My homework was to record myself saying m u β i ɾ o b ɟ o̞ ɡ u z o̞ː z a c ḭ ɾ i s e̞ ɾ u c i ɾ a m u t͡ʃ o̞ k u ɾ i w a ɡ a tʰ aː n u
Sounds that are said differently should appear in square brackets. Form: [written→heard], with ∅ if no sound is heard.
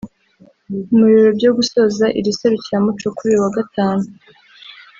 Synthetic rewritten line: m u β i ɾ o b ɟ o̞ ɡ u [z→s] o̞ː z a [c→ʔ] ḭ ɾ i s e̞ ɾ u c i ɾ a m u t͡ʃ o̞ k u ɾ i w a ɡ a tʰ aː n u